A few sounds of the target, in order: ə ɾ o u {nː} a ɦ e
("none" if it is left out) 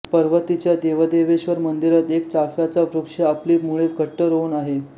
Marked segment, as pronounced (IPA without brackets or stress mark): n